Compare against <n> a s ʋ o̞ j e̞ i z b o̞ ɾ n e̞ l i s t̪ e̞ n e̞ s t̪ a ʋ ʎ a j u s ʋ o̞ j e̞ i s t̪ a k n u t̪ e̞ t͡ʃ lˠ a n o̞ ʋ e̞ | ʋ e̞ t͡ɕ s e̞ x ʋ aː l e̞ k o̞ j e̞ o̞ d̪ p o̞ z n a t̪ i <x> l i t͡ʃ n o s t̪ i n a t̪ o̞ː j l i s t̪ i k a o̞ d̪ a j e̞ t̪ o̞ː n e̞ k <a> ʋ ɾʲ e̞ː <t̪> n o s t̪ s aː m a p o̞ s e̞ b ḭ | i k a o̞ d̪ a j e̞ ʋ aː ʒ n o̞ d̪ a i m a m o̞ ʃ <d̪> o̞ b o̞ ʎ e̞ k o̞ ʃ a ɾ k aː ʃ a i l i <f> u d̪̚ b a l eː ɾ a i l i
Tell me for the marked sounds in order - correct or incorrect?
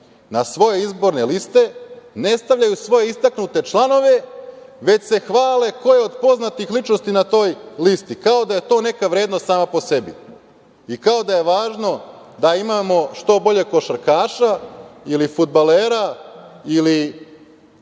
correct, correct, correct, incorrect: d̪, incorrect: t̪, correct

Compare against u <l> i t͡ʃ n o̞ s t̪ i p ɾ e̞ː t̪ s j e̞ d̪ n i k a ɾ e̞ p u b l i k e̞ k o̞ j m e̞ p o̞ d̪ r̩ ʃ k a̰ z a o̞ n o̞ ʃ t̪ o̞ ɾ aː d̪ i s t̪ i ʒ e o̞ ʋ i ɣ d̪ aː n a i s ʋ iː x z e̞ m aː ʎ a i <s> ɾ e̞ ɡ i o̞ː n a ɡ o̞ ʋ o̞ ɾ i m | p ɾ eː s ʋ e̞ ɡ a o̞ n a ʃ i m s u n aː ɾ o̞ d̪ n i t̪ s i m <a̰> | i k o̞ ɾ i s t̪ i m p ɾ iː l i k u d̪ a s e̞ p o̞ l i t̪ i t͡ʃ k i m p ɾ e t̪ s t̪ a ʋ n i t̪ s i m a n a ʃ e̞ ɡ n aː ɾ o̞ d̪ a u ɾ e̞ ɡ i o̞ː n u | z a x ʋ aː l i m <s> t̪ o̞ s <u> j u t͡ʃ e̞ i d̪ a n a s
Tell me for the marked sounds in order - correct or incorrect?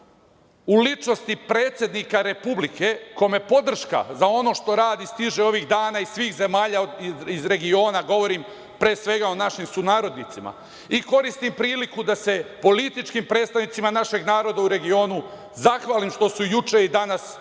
correct, incorrect: z, correct, incorrect: ʃ, correct

